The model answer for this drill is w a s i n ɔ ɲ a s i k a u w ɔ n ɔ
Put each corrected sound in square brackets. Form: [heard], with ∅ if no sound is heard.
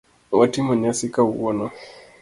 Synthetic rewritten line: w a [t] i [m] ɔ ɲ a s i k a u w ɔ n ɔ